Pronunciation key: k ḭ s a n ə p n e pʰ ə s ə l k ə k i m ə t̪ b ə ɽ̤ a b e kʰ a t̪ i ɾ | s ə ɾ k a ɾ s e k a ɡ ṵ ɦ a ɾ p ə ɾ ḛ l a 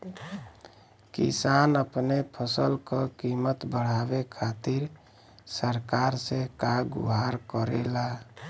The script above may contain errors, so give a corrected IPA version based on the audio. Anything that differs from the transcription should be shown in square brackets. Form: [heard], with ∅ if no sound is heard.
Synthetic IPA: k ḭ s a n ə p n e pʰ ə s ə l k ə k i m ə t̪ b ə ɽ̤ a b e kʰ a t̪ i ɾ | s ə ɾ k a ɾ s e k a ɡ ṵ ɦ a ɾ [k] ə ɾ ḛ l a